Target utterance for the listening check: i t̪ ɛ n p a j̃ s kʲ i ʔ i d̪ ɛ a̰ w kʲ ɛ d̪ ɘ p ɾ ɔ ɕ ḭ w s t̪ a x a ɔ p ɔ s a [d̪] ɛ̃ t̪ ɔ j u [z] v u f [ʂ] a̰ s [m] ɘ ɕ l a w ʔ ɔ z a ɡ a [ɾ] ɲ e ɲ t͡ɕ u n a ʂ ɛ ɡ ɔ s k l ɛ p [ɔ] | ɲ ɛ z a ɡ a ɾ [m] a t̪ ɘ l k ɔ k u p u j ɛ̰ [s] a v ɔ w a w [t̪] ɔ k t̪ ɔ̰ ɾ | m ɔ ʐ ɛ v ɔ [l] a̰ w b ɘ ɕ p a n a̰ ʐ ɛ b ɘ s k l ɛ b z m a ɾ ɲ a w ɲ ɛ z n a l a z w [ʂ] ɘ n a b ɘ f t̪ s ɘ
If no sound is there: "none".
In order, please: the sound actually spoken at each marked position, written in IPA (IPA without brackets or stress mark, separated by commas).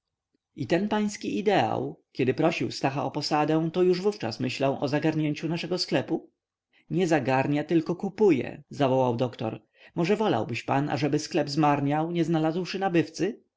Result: d̪, ʐ, t͡ʂ, m, ɾ, u, ɲ, z, d̪, l, ʂ